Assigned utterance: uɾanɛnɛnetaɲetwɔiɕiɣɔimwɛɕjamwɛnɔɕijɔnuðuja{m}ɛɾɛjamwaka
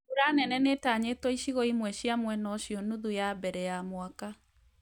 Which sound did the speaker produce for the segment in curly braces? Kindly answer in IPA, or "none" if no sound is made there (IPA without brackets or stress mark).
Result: b